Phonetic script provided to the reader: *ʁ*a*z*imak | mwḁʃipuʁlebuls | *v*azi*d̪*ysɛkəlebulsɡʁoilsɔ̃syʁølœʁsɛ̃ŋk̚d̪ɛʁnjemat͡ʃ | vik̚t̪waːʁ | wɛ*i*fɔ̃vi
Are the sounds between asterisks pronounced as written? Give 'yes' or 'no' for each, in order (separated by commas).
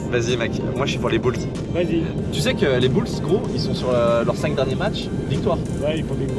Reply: no, yes, yes, no, yes